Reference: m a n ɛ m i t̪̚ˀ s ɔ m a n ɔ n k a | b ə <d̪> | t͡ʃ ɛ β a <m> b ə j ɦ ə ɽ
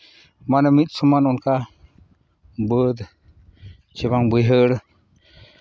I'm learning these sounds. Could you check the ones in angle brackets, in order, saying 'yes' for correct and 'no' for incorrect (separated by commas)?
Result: yes, no